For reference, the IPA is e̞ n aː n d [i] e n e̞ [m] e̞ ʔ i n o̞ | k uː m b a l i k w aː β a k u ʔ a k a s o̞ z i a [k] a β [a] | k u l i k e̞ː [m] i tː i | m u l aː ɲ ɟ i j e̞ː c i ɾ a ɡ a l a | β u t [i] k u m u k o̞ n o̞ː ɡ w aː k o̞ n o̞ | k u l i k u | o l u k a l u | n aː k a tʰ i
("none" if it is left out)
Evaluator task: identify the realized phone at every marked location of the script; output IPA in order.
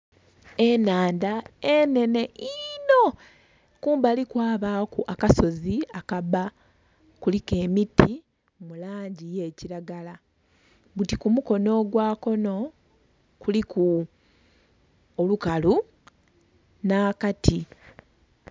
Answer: a, n, k, a, m, i

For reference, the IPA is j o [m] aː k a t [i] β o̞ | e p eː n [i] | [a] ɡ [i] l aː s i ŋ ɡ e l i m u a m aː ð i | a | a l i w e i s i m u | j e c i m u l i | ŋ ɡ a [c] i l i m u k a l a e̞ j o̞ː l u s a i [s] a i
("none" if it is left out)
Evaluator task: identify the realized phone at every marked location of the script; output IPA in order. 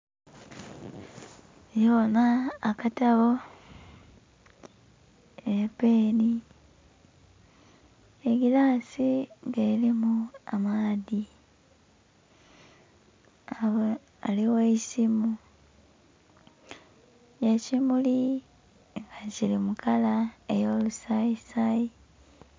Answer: n, a, i, e, i, c, s

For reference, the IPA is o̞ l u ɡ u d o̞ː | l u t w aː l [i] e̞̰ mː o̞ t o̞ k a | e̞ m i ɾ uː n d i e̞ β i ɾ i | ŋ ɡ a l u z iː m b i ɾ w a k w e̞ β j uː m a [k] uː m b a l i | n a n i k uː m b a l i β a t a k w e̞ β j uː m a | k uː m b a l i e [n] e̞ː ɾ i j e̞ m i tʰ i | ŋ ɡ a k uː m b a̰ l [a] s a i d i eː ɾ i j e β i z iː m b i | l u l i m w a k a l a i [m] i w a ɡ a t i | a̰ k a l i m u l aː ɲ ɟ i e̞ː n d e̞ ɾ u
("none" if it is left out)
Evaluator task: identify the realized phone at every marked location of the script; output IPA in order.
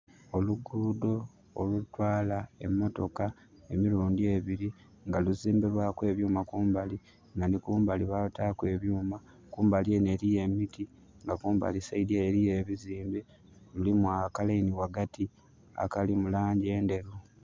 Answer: a, k, n, i, n

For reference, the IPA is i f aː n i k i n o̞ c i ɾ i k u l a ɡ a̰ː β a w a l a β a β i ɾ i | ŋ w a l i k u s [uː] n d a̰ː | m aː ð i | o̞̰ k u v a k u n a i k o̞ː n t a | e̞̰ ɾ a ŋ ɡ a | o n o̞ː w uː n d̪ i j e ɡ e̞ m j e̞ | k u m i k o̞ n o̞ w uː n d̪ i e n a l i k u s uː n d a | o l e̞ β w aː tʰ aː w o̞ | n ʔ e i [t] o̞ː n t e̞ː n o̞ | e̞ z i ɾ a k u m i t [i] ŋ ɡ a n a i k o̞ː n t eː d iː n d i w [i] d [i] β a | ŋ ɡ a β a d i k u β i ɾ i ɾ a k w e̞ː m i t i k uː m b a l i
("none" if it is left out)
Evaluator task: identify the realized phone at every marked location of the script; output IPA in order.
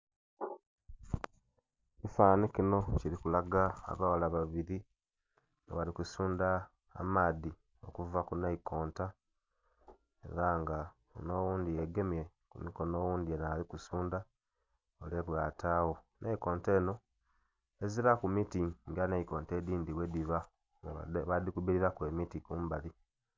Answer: uː, k, i, e, i

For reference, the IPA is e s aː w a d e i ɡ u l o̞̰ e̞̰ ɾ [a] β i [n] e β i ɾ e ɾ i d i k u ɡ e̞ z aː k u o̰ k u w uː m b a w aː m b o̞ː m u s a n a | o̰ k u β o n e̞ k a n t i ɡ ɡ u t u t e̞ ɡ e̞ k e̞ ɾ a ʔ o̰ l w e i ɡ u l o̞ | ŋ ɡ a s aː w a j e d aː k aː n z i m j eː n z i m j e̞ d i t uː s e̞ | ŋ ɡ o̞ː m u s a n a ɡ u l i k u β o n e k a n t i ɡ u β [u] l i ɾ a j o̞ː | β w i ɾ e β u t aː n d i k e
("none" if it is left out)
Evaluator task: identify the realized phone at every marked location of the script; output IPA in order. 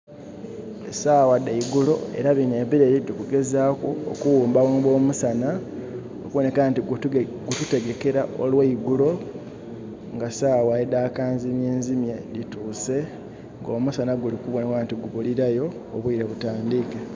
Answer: a, n, u

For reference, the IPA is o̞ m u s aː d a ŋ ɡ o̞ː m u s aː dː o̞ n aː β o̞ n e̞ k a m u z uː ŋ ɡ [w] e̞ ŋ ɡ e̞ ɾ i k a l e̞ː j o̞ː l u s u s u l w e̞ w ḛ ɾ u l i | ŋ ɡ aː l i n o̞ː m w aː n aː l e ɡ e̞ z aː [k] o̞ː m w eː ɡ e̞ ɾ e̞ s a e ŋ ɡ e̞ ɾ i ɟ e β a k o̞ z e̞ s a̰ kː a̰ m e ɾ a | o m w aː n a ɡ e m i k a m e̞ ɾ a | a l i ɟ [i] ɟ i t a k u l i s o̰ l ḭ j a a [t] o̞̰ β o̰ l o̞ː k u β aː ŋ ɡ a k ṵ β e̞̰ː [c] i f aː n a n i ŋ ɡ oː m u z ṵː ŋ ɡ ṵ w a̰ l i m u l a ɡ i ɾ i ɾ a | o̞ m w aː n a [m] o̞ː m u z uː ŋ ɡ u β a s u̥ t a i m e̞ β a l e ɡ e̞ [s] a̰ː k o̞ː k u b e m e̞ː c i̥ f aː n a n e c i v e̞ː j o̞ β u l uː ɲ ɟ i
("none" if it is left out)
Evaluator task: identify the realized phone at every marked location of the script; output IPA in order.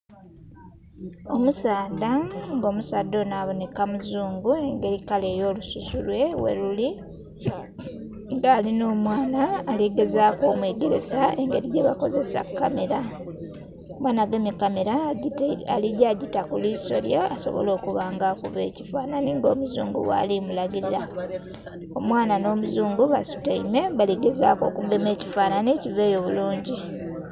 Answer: u, k, a, s, c, n, z

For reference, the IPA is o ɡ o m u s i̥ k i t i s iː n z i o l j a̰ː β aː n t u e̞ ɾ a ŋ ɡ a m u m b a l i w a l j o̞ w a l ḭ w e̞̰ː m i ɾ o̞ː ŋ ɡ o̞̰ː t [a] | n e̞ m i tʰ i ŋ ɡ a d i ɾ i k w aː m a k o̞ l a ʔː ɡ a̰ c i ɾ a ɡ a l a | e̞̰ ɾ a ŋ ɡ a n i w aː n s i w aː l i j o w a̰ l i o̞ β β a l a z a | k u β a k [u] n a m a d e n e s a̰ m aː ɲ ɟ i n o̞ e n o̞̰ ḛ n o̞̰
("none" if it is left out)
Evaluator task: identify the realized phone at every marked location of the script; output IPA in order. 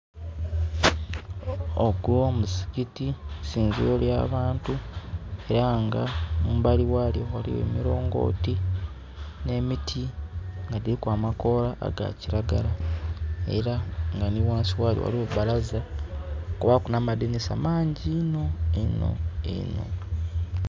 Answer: i, u

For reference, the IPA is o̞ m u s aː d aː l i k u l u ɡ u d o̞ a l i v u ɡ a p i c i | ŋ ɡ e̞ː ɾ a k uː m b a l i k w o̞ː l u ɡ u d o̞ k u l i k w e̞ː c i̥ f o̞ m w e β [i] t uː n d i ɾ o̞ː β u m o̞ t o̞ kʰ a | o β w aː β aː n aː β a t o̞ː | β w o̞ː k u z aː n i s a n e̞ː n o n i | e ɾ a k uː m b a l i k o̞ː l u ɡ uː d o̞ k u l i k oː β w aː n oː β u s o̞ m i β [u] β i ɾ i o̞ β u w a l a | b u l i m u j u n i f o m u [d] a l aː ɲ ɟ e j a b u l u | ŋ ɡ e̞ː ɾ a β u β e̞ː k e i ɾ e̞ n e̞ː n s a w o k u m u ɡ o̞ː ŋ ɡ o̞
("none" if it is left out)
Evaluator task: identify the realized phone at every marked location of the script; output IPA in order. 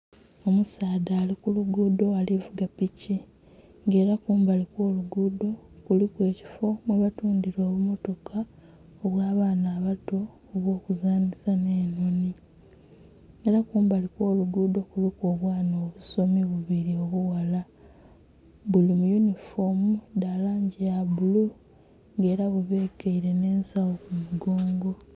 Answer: a, u, d

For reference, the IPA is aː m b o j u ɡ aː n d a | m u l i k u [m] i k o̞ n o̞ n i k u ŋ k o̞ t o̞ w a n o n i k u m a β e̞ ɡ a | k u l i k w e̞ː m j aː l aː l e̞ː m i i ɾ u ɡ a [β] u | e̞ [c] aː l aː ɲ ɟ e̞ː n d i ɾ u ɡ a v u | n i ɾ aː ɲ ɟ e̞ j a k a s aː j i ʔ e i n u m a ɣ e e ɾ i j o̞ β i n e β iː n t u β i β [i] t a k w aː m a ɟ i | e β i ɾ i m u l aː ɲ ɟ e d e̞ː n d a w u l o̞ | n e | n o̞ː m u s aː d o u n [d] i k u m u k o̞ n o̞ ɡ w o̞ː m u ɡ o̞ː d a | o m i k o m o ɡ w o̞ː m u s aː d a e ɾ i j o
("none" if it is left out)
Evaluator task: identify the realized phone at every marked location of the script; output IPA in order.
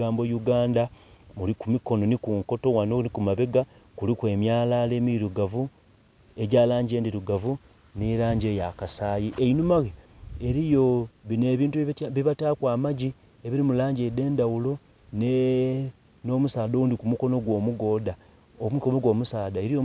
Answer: m, v, ɟ, a, d

